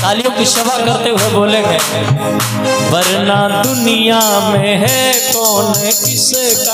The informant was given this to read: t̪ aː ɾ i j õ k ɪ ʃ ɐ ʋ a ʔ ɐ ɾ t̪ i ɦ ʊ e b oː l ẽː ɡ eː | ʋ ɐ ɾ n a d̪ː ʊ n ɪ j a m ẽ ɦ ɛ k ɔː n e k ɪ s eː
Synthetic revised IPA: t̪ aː l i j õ k i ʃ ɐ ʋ a k ɐ ɾ t̪ e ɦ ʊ e b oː l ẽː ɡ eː | ʋ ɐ ɾ n a d̪ ʊ n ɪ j a m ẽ ɦ ɛ k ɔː n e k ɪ s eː